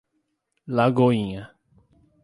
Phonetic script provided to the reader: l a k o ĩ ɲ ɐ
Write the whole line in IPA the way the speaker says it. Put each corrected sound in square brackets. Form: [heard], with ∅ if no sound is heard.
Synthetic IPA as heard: l a [ɡ] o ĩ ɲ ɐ

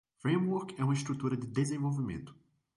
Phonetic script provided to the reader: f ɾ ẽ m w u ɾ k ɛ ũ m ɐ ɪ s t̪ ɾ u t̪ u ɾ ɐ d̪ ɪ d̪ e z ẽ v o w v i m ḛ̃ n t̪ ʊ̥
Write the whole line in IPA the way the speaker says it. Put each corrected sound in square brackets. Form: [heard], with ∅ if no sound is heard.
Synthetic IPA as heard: f ɾ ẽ m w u ɾ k ɛ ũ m ɐ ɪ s t̪ ɾ u t̪ u ɾ ɐ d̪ ɪ d̪ e z ẽ v o w v i m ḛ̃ n t̪ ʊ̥

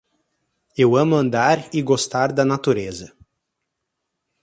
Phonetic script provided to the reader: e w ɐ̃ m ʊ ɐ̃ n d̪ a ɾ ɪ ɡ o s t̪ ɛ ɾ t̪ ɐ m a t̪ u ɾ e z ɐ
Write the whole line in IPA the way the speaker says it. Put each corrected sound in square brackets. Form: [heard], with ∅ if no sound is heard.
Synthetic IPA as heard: e w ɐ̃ m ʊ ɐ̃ n d̪ a ɾ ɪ ɡ o s t̪ [a] ɾ [d̪] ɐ [n] a t̪ u ɾ e z ɐ

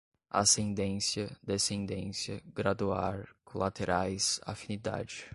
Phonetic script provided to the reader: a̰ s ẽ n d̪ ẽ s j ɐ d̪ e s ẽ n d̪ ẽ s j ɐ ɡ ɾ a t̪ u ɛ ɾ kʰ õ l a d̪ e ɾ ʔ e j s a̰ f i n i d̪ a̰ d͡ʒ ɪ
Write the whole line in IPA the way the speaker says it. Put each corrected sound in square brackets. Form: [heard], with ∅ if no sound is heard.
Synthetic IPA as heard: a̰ s ẽ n d̪ ẽ s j ɐ d̪ e s ẽ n d̪ ẽ s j ɐ ɡ ɾ a [d̪] u [a] ɾ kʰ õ l a [t̪] e ɾ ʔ [a] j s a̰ f i n i d̪ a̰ d͡ʒ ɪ

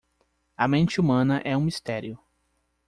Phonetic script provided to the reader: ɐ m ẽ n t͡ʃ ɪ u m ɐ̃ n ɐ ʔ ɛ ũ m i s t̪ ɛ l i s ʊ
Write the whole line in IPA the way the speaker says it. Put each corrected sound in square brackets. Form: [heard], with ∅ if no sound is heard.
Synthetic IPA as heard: ɐ m ẽ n t͡ʃ ɪ u m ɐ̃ n ɐ ʔ ɛ ũ m i s t̪ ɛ [ɾ] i [∅] ʊ

